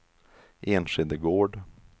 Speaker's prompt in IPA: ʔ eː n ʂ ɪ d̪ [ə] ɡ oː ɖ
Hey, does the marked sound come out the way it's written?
yes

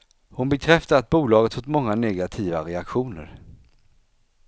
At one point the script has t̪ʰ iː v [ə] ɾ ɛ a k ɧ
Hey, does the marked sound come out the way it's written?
no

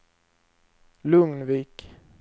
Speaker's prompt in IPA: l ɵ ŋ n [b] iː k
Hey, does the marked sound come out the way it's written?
no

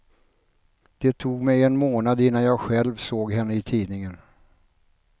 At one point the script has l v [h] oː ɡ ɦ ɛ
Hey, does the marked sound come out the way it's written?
no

